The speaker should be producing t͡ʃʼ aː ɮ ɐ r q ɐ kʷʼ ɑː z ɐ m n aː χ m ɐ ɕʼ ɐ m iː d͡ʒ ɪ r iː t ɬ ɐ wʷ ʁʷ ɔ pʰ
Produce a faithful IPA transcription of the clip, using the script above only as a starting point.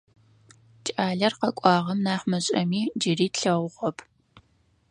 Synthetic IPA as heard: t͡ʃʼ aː ɮ ɐ r q ɐ kʷʼ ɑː ʁ ɐ m n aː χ m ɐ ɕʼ ɐ m iː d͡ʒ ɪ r iː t ɬ ɐ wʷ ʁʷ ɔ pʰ